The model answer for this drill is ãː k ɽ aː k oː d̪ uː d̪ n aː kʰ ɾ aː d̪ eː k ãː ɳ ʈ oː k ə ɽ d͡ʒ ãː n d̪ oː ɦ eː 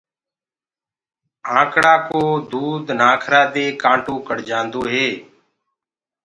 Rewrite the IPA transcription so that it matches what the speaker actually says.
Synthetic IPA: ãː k ɽ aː k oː d̪ uː d̪ n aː kʰ ɾ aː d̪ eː k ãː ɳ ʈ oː k ə ɽ d͡ʒ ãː n d̪ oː ɦ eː

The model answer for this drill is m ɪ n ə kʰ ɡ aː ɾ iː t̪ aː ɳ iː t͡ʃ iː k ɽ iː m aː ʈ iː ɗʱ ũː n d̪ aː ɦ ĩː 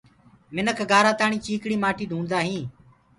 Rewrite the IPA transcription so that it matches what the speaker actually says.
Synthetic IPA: m ɪ n ə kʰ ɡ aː ɾ aː t̪ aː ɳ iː t͡ʃ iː k ɽ iː m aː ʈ iː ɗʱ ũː n d̪ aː ɦ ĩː

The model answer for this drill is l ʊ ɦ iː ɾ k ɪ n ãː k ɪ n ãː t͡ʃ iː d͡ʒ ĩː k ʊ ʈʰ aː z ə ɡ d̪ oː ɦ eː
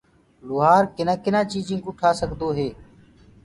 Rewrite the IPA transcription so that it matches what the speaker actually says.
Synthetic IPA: l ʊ ɦ aː ɾ k ɪ n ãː k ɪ n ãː t͡ʃ iː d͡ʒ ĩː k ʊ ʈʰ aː s ə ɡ d̪ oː ɦ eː

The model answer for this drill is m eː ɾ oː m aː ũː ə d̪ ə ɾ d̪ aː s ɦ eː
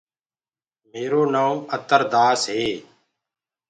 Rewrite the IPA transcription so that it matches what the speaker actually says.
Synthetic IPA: m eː ɾ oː n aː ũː ə t̪ ə ɾ d̪ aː s ɦ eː

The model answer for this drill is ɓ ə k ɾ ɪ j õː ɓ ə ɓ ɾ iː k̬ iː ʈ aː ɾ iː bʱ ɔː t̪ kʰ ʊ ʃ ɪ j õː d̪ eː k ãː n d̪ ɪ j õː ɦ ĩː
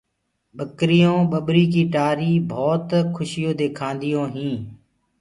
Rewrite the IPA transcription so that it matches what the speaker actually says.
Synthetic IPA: ɓ ə k ɾ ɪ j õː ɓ ə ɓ ɾ iː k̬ iː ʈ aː ɾ iː bʱ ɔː t̪ kʰ ʊ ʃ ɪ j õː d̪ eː kʰ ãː n d̪ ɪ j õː ɦ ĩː

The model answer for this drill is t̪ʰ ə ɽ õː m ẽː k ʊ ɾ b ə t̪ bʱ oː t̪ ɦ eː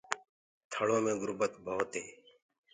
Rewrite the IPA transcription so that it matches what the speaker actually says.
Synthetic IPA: t̪ʰ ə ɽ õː m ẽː ɡ ʊ ɾ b ə t̪ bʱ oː t̪ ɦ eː

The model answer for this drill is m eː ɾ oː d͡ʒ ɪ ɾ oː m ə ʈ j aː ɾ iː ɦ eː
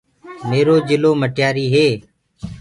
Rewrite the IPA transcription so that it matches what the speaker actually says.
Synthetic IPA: m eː ɾ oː d͡ʒ ɪ l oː m ə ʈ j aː ɾ iː ɦ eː

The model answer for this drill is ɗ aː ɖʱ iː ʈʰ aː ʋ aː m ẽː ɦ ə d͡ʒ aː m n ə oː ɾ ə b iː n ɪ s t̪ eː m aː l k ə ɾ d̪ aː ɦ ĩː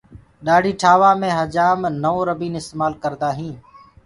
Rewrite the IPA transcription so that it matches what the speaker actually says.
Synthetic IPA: ɗ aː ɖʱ iː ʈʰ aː ʋ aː m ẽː ɦ ə d͡ʒ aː m n ə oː ɾ ə b iː n ɪ s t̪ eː m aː l k ə ɾ d̪ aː ɦ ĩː

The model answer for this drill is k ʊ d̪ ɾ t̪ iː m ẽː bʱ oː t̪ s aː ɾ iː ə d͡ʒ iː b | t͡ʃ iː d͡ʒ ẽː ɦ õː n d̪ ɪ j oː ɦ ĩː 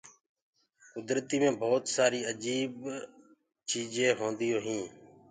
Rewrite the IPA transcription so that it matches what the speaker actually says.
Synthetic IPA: k ʊ d̪ ɾ t̪ iː m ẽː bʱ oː t̪ s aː ɾ iː ə d͡ʒ iː b | t͡ʃ iː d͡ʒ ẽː ɦ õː n d̪ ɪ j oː ɦ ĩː

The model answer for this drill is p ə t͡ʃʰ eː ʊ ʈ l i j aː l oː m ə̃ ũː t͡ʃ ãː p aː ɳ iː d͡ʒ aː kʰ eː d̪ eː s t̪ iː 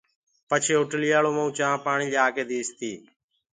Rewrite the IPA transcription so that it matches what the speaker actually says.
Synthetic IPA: p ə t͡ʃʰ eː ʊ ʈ l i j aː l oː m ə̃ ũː t͡ʃ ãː p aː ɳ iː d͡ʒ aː k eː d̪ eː s t̪ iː

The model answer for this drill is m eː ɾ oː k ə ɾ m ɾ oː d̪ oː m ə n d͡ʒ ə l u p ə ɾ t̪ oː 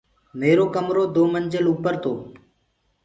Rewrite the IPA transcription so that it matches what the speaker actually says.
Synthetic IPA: m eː ɾ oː k ə m ɾ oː d̪ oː m ə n d͡ʒ ə l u p ə ɾ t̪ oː

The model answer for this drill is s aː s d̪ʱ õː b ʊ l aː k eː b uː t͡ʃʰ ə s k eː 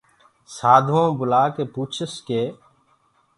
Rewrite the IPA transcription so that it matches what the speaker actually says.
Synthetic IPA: s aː d̪ʱ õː b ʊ l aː k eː p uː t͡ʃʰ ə s k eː

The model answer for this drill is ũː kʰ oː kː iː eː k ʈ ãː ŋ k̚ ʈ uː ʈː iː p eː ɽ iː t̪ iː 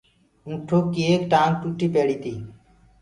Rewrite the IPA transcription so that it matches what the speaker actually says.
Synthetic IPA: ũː ʈʰ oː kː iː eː k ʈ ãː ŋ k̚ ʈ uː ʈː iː p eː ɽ iː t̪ iː

